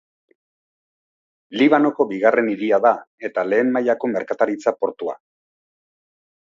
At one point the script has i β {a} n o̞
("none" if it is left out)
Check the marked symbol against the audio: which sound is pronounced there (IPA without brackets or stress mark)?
a